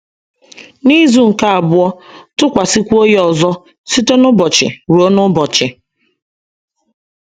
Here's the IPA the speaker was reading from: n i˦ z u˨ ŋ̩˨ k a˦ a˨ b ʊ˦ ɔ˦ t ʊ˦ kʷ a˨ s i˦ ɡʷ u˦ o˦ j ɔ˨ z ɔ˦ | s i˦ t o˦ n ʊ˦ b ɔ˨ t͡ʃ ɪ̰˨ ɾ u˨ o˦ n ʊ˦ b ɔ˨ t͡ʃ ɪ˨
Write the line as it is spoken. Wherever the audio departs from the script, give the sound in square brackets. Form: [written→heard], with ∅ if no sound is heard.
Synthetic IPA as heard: n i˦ z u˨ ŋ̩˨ k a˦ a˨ b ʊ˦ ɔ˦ t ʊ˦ kʷ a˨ s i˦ [ɡʷ→kʷ] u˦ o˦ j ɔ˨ z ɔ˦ | s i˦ t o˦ n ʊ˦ b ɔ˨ t͡ʃ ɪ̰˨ ɾ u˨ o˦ n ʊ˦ b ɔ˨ t͡ʃ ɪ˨